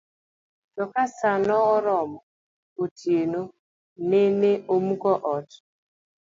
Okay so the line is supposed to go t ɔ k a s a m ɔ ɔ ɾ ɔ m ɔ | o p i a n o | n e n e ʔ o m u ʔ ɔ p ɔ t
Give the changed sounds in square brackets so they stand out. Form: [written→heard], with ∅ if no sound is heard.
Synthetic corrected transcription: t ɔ k a s a [m→n] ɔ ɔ ɾ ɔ m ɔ | o [p→t] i [a→e] n o | n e n e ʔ o m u [ʔ→k] ɔ [p→ʔ] ɔ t